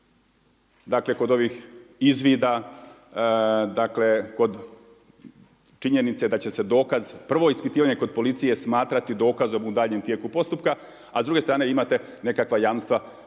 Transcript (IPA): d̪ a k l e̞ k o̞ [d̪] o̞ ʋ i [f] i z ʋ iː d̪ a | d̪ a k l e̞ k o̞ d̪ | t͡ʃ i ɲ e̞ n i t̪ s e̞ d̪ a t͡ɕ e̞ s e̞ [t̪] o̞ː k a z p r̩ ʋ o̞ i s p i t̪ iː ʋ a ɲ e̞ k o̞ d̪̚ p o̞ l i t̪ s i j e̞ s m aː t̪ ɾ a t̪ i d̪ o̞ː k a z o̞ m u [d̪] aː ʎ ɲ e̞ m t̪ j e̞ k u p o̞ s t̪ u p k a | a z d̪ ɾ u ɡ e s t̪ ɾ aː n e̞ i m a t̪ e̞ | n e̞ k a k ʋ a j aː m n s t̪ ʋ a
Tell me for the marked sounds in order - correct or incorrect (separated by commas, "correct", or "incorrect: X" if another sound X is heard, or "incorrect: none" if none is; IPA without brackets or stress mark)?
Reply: correct, incorrect: x, incorrect: d̪, correct